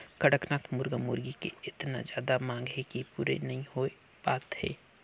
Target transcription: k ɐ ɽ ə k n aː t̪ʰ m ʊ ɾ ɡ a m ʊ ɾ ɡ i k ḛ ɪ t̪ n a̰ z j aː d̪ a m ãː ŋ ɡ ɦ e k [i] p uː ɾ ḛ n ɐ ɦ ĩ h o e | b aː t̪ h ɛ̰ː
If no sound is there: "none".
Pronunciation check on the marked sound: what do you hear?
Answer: i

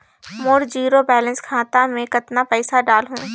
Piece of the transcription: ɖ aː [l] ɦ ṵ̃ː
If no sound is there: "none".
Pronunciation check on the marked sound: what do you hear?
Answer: l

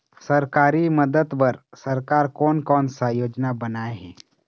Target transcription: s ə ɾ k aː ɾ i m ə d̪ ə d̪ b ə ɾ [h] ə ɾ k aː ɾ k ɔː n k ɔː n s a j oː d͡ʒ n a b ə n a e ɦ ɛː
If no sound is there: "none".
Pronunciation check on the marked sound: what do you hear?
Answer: s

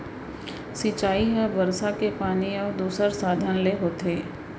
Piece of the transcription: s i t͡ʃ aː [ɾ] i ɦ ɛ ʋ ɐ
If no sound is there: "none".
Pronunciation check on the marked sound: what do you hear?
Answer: none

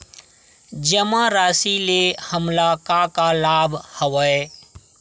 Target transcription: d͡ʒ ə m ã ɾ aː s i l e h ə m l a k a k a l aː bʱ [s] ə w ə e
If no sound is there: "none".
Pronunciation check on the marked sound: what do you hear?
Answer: h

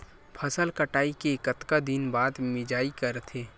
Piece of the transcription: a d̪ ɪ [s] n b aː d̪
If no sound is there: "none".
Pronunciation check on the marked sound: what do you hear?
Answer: none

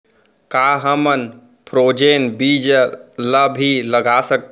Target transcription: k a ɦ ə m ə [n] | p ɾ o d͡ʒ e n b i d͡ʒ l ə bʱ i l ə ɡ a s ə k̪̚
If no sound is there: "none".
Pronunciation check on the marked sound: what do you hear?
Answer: n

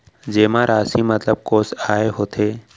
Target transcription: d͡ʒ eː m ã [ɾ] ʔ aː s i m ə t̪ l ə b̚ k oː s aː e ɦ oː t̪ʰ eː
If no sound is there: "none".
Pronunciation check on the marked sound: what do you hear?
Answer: ɾ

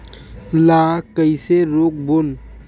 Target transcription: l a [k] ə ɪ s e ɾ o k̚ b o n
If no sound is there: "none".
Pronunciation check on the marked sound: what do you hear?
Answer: k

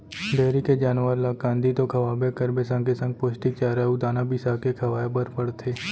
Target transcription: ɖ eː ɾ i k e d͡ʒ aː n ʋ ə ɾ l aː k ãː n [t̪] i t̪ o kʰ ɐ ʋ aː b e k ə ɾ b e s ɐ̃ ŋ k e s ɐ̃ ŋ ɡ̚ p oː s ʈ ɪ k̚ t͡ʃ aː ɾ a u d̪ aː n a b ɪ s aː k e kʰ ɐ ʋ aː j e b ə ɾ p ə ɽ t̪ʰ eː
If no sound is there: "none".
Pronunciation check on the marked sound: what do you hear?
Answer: d̪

